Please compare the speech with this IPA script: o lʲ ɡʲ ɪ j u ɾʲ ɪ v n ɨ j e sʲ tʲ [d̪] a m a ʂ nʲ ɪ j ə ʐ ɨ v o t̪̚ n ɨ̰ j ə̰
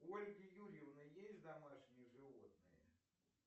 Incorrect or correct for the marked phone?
correct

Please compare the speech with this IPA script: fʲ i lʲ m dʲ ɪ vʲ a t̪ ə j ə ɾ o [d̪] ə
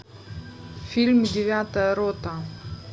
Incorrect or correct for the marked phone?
incorrect: t̪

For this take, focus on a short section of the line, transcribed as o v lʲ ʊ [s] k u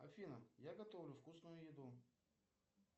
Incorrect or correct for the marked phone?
incorrect: f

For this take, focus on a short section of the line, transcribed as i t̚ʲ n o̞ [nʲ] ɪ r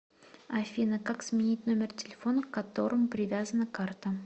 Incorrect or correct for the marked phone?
incorrect: mʲ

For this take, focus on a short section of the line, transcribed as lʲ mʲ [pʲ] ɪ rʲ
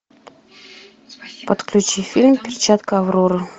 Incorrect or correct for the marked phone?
correct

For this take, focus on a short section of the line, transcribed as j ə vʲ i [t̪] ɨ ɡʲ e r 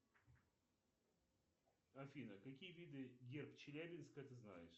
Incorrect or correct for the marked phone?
incorrect: d̪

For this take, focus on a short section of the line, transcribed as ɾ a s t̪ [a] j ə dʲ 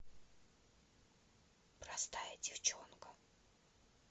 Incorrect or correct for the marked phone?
correct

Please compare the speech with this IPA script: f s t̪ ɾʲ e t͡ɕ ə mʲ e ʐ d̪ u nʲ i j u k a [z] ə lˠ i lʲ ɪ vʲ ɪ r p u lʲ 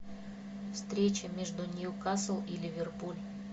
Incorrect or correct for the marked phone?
incorrect: s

